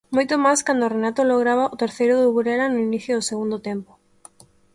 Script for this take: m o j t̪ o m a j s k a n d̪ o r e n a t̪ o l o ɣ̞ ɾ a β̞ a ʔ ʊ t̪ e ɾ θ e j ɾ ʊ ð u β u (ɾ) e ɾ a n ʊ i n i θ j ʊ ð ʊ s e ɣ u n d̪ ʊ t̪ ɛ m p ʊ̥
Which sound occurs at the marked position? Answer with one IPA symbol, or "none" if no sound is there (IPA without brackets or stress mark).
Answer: ɾ